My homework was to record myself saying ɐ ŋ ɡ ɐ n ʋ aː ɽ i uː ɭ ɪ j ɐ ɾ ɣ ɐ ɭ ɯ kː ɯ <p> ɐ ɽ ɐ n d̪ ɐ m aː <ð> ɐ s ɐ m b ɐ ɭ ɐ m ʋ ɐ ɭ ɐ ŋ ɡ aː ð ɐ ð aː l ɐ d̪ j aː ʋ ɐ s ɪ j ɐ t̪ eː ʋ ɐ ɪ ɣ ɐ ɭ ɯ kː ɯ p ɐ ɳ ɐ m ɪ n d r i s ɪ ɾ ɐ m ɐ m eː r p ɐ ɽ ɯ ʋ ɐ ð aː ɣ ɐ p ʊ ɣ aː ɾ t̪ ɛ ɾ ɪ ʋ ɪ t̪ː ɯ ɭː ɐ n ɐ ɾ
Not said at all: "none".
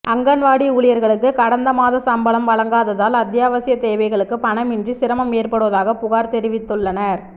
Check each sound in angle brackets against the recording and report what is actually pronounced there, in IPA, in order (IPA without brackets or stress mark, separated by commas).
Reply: k, ð